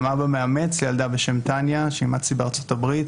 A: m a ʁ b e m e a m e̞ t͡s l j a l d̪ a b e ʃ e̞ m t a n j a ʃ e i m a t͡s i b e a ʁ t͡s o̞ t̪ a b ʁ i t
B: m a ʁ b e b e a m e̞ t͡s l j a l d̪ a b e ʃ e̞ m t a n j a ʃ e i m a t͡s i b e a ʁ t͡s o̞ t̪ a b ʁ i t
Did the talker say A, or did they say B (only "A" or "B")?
A